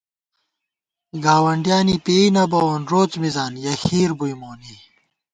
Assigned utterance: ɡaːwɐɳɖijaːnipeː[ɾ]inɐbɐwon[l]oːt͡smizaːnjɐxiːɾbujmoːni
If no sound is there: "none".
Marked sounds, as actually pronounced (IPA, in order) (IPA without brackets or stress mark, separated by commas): none, ɾ